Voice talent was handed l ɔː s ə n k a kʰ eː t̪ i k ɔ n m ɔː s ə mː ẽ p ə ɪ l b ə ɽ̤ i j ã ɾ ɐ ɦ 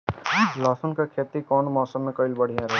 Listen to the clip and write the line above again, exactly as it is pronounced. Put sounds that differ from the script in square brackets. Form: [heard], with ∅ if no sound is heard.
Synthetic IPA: l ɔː s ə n k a kʰ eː t̪ i k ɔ n m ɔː s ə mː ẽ [k] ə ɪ l b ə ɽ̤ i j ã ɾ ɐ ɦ